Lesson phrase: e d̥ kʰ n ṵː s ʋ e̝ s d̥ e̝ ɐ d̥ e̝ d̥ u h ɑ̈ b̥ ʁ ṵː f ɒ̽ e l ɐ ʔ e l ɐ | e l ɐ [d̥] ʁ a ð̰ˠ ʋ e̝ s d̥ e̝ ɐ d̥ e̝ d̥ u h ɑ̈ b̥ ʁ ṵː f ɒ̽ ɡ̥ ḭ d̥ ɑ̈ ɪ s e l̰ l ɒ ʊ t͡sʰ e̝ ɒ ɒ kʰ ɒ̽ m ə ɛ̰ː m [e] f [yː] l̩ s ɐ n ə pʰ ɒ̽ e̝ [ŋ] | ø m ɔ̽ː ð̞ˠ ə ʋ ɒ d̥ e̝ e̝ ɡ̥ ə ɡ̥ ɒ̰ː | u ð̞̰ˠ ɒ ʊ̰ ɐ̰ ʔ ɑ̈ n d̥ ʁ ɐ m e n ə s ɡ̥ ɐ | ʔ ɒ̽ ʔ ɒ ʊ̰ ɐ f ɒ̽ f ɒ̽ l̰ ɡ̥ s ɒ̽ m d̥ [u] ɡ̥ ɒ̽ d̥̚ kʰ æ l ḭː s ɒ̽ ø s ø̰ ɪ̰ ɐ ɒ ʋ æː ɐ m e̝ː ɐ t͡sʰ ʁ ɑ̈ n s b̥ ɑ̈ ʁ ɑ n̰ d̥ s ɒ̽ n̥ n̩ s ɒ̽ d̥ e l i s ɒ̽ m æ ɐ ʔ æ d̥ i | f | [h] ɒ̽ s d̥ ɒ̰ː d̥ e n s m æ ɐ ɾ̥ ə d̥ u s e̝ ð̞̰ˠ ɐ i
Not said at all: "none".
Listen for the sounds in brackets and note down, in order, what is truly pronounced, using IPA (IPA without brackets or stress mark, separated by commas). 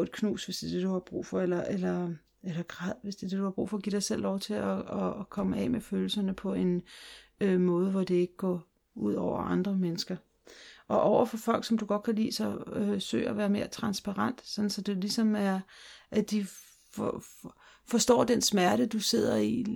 ɡ̥, e, øː, n, u, f